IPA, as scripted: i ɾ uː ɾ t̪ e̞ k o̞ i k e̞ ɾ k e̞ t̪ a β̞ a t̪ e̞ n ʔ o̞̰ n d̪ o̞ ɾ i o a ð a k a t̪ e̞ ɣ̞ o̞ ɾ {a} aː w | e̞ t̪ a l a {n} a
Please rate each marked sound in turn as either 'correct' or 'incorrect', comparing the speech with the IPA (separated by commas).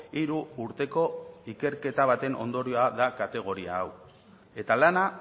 incorrect, correct